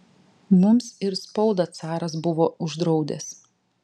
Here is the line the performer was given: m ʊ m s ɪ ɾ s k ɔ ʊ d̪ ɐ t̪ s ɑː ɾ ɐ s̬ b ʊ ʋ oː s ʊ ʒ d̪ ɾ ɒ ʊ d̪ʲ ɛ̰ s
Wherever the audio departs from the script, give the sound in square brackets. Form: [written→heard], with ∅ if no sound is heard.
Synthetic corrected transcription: m ʊ m s ɪ ɾ s [k→p] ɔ ʊ d̪ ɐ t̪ s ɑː ɾ ɐ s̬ b ʊ ʋ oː [s→∅] ʊ ʒ d̪ ɾ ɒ ʊ d̪ʲ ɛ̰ s